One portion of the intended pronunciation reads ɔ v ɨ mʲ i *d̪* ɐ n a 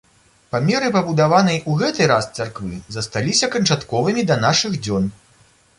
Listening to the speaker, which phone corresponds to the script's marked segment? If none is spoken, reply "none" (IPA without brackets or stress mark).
d̪